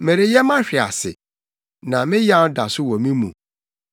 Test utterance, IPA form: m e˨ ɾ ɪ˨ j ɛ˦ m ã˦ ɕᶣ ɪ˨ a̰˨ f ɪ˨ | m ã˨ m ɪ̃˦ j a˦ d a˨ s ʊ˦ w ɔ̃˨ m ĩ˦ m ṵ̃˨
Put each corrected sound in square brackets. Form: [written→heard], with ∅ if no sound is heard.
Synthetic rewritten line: m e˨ ɾ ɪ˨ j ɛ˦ m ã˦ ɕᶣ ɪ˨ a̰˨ [f→s] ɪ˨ | [m→n] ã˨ m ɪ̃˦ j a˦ d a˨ s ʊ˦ w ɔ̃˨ m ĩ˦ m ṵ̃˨